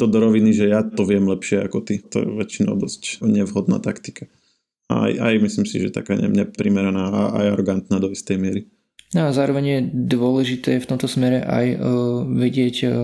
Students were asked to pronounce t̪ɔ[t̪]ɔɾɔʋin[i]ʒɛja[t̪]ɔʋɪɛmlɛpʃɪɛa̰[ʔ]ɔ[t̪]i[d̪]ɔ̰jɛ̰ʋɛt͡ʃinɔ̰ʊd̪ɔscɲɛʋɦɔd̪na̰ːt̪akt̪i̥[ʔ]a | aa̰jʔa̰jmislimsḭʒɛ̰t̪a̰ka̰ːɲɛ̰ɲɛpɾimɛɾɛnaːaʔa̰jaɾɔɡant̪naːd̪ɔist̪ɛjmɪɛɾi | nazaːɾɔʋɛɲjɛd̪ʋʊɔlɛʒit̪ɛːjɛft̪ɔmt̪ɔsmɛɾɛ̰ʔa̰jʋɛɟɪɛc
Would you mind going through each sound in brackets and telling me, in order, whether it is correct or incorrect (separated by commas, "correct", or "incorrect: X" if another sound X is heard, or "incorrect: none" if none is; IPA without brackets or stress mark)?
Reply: incorrect: d̪, correct, correct, incorrect: k, correct, incorrect: t̪, incorrect: k